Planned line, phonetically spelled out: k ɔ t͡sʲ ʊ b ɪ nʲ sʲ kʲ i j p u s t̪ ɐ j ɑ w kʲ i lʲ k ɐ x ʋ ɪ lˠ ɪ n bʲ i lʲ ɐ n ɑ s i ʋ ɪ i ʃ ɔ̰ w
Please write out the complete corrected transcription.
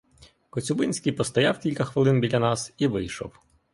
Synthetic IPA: k ɔ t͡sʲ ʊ b ɪ nʲ sʲ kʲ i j p ɔ s t̪ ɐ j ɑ w kʲ i lʲ k ɐ x ʋ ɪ lˠ ɪ n bʲ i lʲ ɐ n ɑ s i ʋ ɪ j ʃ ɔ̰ w